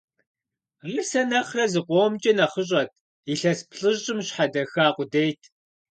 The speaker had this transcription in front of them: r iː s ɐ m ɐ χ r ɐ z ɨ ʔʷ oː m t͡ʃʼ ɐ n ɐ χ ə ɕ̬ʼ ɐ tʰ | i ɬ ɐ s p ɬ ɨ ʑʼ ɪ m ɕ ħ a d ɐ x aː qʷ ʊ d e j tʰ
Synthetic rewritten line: r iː s ɐ n ɐ χ r ɐ z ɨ qʷ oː m t͡ʃʼ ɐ n ɐ χ ə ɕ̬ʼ ɐ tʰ | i ɬ ɐ s p ɬ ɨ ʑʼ ɪ m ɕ ħ a d ɐ x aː qʷ ʊ d e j tʰ